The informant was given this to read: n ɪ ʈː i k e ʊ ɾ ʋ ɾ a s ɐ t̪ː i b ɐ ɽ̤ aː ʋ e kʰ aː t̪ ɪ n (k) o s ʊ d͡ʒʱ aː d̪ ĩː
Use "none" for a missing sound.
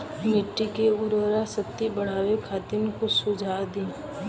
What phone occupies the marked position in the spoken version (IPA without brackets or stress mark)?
k